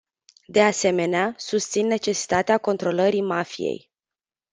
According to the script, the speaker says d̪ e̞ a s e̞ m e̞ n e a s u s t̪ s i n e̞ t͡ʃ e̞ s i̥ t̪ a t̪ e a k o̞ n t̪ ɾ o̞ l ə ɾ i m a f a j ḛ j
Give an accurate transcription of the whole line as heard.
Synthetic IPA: d̪ e̞ a s e̞ m e̞ n e a s u s t̪ s i nː e̞ t͡ʃ e̞ s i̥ t̪ a t̪ e a k o̞ n t̪ ɾ o̞ l ə ɾ i m a f i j ḛ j